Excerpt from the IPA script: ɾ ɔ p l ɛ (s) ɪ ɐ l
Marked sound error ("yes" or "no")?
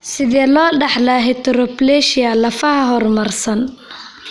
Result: yes